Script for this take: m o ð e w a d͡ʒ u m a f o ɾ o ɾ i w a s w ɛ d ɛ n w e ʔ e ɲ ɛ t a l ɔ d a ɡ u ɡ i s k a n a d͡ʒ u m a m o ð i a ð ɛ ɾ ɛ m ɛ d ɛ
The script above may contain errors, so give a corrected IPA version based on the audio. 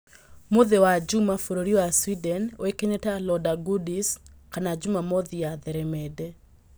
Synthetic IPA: m o ð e w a d͡ʒ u m a f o ɾ o ɾ i w a s w i d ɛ n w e k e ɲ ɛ t a l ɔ d a ɡ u d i s k a n a d͡ʒ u m a m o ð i a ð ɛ ɾ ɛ m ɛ d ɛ

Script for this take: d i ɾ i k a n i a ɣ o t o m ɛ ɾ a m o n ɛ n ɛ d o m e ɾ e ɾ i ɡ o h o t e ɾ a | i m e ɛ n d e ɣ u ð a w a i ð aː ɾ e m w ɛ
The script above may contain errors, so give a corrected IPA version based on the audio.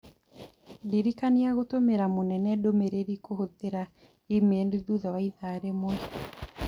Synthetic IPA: d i ɾ i k a n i a ɣ o t o m e ɾ a m o n ɛ n ɛ d o m e ɾ e ɾ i k o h o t e ɾ a | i m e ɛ n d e ð u ð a w a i ð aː ɾ e m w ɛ

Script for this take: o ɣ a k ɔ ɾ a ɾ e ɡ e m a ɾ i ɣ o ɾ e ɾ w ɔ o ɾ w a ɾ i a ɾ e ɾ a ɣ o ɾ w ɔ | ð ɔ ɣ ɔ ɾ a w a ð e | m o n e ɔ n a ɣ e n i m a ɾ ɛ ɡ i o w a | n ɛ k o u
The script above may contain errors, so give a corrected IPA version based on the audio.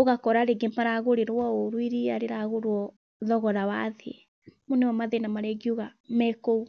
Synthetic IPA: o ɣ a k ɔ ɾ a ɾ e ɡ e m a ɾ a ɣ o ɾ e ɾ w ɔ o ɾ w i ɾ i a ɾ e ɾ a ɣ o ɾ w ɔ | ð ɔ ɣ ɔ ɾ a w a ð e | m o n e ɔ m a ð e n a m a ɾ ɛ ɡ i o ɣ a | m ɛ k o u

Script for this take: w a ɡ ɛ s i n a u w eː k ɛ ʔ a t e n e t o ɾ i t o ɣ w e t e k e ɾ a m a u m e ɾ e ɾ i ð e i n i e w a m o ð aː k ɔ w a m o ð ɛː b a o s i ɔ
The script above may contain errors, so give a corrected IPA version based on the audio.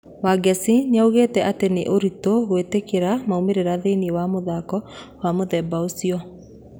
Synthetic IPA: w a ɡ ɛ s i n a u ɣ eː t ɛ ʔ a t e n e ʔ o ɾ i t o ɣ w e t e k e ɾ a m a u m e ɾ e ɾ a ð e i n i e w a m o ð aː k ɔ w a m o ð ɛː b a o s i ɔ

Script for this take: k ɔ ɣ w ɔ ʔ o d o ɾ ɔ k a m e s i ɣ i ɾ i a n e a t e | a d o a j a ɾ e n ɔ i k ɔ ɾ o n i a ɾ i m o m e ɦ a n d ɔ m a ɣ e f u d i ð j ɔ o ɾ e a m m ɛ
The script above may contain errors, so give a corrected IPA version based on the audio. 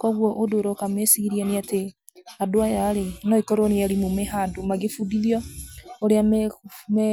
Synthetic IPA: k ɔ ɣ w ɔ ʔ o d o ɾ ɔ k a m e s i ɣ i ɾ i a n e a t e | a d o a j a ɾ e n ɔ i k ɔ ɾ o n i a ɾ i m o m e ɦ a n d o m a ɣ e f u d i ð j ɔ o ɾ e a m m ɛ

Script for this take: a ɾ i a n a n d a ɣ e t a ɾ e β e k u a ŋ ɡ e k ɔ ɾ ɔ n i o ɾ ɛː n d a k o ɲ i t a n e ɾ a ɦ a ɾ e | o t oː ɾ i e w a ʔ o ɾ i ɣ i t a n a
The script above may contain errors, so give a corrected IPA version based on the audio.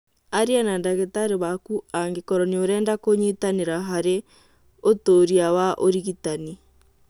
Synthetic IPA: a ɾ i a n a n d a ɣ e t a ɾ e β a k u a ŋ ɡ e k ɔ ɾ ɔ n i o ɾ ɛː n d a k o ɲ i t a n e ɾ a ɦ a ɾ e | o t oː ɾ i a w a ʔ o ɾ i ɣ i t a n i

